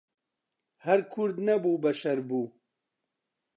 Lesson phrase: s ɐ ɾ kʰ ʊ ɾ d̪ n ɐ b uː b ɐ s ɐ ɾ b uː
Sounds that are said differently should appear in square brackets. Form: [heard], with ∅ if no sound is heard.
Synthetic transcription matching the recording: [h] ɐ ɾ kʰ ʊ ɾ d̪ n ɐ b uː b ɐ [ʃ] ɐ ɾ b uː